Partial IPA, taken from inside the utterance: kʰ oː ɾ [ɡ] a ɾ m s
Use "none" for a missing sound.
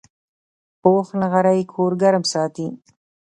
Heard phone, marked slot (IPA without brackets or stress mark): ɡ